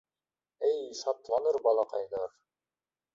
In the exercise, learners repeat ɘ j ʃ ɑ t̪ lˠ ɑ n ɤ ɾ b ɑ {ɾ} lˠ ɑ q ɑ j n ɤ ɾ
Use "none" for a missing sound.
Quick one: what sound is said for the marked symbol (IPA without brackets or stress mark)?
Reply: none